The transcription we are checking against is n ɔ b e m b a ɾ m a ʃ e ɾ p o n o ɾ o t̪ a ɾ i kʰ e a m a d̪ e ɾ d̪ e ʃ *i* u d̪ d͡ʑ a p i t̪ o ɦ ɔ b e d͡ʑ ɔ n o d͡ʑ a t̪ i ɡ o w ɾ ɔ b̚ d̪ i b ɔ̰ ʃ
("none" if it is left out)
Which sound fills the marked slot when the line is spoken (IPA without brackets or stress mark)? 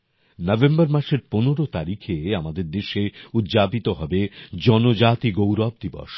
e